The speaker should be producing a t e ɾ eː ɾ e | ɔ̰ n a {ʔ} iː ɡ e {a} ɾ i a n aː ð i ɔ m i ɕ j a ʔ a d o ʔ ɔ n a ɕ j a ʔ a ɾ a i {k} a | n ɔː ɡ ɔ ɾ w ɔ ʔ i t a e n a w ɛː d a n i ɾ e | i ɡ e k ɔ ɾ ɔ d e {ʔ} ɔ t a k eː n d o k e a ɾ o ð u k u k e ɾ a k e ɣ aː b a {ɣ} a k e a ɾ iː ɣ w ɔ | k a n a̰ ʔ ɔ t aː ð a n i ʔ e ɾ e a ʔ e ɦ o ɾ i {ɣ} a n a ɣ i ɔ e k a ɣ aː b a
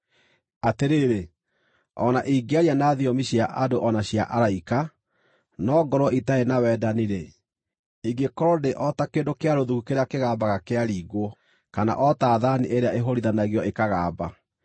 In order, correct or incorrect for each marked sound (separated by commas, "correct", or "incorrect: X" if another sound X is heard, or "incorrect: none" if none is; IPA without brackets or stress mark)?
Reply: correct, correct, correct, correct, correct, incorrect: ð